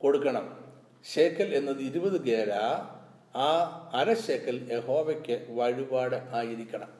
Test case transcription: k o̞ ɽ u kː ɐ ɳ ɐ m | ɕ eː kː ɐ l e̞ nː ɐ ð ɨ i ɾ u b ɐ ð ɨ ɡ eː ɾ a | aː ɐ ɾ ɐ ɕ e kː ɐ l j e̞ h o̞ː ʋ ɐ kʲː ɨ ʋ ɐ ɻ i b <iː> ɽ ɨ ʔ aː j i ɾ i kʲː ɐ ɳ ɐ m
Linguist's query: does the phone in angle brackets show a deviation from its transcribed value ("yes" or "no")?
yes